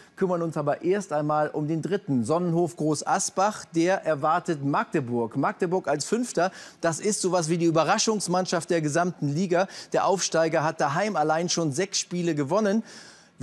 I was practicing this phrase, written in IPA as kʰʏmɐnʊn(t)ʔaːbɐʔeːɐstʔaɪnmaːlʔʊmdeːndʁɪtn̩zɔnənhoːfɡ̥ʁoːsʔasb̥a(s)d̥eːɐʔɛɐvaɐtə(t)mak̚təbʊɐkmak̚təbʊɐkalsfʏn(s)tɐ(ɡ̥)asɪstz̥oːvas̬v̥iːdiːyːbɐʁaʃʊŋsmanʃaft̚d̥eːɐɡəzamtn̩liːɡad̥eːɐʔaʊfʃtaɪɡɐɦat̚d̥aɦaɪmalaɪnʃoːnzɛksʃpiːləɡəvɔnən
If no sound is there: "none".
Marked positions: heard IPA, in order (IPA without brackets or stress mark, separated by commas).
s, χ, t, f, d̥